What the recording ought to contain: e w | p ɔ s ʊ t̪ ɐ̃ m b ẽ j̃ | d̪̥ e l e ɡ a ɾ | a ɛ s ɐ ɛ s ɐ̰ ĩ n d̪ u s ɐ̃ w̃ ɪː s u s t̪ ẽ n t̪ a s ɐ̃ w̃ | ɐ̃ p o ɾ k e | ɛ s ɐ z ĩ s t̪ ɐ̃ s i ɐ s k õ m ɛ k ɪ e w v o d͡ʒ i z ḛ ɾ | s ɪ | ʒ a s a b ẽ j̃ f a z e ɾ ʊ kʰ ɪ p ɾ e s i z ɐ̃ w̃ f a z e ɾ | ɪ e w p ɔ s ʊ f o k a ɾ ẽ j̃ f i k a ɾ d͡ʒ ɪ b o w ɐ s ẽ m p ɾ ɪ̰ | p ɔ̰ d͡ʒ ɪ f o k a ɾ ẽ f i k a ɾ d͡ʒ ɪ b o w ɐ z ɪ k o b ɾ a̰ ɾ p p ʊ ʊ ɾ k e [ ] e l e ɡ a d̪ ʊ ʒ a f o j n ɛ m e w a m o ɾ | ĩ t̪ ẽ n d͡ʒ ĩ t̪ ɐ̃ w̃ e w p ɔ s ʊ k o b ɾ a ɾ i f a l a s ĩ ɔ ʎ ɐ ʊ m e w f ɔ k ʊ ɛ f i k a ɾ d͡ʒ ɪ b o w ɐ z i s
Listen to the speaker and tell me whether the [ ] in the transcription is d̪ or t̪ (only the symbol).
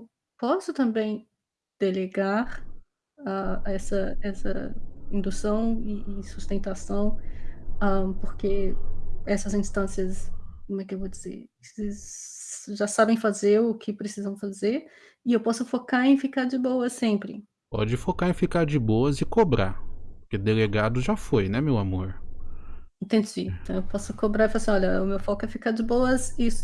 d̪